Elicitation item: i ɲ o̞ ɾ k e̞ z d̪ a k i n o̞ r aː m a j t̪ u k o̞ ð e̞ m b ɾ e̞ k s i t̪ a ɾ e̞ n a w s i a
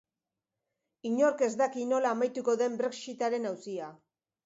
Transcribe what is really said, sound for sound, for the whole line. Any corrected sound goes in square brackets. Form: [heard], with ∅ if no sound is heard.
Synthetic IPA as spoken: i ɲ o̞ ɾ k e̞ z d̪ a k i n o̞ [l] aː m a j t̪ u k o̞ ð e̞ m b ɾ e̞ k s i t̪ a ɾ e̞ n a w s i a